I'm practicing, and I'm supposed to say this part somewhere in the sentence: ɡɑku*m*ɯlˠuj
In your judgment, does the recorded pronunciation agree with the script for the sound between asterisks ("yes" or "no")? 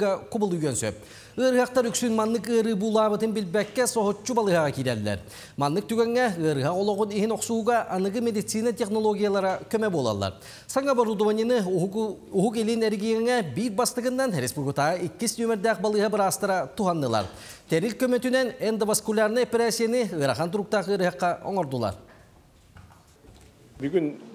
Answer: no